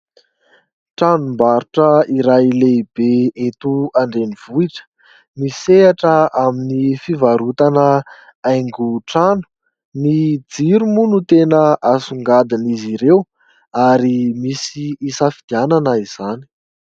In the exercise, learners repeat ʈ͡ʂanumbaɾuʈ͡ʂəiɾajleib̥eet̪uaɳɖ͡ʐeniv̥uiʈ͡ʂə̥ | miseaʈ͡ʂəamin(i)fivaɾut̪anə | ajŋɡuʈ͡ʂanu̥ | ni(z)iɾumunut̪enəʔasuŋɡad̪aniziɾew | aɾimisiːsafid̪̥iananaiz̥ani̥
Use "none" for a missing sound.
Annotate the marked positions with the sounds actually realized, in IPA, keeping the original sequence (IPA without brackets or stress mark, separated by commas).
i, d͡z